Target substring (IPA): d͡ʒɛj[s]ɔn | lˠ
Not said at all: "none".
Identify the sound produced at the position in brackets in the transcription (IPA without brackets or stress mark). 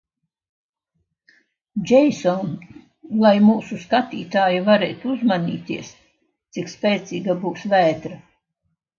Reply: s